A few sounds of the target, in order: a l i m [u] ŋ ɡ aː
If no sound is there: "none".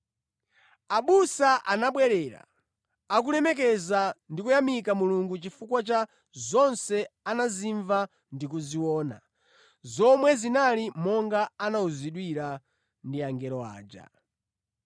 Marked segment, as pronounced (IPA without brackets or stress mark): ɔ